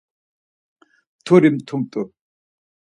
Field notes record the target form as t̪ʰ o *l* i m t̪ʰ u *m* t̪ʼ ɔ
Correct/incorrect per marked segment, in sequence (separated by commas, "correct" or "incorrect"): incorrect, correct